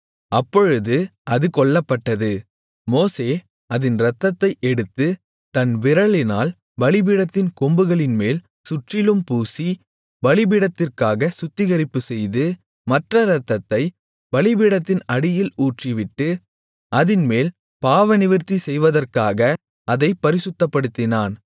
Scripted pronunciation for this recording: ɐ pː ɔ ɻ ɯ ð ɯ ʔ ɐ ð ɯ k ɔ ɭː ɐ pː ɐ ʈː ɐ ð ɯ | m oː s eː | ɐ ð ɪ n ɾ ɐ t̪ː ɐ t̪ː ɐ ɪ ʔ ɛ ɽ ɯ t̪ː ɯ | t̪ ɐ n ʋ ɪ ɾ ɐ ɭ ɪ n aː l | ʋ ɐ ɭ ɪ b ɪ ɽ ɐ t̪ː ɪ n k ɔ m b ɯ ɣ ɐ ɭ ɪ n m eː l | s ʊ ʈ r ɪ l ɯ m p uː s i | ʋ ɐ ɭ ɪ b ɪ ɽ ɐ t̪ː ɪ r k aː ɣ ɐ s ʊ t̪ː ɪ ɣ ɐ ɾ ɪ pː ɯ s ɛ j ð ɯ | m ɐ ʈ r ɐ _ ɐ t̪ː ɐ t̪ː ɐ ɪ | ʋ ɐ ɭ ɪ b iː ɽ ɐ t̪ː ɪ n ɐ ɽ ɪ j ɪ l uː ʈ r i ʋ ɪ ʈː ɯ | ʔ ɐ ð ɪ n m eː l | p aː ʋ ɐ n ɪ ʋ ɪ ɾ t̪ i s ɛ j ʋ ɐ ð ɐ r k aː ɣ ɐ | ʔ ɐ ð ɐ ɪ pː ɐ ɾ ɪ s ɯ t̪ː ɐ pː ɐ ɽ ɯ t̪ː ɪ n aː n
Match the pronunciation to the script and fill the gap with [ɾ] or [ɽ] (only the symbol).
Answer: ɾ